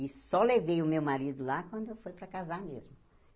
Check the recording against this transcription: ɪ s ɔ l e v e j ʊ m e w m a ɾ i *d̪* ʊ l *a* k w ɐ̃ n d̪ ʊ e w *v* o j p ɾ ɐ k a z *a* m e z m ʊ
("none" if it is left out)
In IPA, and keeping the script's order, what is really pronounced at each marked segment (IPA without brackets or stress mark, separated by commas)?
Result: d̪, a, f, a